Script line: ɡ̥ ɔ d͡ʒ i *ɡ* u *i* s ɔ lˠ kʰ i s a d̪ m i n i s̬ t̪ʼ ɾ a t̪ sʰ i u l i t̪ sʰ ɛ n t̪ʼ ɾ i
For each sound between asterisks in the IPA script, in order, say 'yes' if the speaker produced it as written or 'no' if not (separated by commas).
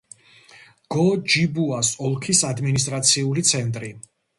no, no